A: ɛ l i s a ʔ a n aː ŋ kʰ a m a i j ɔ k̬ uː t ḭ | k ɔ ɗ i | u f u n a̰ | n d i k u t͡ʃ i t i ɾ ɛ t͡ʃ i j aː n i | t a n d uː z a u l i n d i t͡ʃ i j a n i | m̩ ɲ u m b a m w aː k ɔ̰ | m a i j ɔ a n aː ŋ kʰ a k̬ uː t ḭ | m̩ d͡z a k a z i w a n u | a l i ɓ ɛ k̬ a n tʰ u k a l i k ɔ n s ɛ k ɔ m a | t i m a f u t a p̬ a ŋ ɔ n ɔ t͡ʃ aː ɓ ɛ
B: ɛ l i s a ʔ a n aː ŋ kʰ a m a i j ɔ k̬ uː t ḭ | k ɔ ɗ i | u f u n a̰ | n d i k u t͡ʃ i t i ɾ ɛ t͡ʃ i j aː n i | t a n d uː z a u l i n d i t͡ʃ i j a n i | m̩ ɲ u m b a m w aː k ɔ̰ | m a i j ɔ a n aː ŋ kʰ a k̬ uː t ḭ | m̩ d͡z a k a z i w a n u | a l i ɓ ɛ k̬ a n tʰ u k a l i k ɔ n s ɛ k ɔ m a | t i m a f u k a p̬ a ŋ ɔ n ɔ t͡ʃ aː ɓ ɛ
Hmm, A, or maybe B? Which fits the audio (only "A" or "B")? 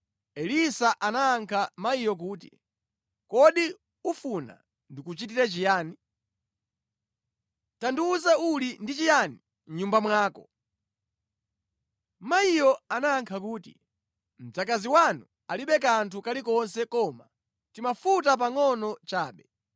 A